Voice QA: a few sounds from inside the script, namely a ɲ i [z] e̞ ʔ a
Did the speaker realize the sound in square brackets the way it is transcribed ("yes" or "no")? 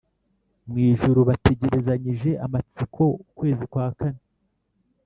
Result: no